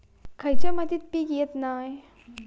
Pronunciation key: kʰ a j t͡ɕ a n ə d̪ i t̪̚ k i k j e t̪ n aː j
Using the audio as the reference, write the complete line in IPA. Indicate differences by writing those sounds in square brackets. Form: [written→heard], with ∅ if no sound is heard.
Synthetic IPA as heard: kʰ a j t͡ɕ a [n→m] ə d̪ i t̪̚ [k→p] i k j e t̪ n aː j